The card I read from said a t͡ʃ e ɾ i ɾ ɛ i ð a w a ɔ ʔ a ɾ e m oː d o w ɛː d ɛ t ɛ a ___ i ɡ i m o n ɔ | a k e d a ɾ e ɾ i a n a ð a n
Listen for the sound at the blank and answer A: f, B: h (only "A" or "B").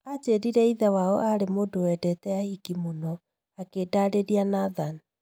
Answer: B